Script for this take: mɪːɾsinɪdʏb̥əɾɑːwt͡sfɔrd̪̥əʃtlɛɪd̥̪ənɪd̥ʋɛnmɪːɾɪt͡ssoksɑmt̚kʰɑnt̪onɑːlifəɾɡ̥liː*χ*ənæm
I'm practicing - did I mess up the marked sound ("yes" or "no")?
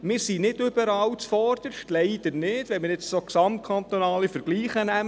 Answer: no